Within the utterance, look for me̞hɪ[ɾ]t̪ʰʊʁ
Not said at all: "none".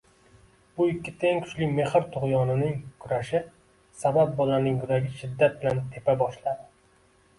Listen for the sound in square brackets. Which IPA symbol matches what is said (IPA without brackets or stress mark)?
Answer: ɾ